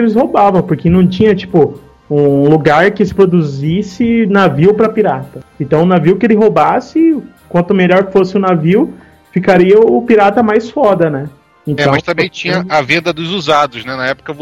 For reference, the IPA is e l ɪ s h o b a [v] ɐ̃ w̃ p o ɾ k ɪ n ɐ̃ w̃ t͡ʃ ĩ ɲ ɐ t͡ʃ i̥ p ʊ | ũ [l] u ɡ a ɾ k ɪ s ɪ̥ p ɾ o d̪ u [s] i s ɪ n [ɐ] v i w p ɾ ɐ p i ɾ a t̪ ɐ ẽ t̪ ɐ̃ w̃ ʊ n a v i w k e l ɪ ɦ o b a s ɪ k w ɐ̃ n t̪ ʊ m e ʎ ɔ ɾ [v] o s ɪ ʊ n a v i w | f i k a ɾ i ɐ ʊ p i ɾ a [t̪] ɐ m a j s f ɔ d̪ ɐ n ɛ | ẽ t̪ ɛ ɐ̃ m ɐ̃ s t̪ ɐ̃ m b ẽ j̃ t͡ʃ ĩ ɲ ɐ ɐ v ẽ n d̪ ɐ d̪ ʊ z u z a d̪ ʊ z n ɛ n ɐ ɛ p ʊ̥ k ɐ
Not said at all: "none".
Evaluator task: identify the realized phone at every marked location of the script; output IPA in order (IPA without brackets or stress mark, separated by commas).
v, l, z, a, f, t̪